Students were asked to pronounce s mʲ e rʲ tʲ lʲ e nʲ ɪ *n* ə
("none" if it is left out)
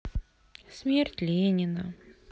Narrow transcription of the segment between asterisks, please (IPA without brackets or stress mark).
n